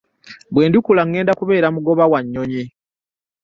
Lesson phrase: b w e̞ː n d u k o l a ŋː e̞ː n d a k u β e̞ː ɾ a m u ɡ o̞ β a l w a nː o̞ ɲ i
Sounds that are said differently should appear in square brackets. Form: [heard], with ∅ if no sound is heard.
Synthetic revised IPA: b w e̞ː n d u k [u] l a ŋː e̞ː n d a k u β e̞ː ɾ a m u ɡ o̞ β a [∅] w a [ɲː] o̞ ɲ i